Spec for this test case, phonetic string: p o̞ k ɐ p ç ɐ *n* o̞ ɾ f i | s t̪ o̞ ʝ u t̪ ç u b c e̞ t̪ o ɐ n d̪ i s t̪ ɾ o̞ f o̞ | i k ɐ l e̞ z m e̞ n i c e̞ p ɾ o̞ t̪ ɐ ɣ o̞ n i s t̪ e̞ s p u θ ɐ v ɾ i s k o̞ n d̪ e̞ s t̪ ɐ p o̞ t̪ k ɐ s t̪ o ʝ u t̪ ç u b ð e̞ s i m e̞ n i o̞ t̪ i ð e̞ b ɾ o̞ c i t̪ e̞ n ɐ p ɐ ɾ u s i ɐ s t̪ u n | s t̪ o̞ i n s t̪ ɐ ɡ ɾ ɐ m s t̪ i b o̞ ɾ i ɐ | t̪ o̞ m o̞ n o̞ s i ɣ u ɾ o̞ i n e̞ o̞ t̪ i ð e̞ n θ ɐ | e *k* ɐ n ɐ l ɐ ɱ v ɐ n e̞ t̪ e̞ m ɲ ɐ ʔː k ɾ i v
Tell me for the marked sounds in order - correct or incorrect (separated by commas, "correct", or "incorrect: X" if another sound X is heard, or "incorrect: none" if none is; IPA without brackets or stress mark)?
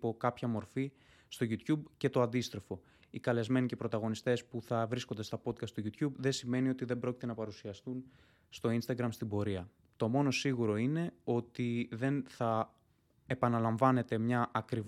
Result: incorrect: m, incorrect: p